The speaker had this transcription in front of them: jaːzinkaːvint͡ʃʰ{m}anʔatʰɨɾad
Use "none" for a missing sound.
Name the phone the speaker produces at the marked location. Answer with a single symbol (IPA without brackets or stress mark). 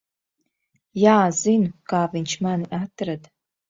m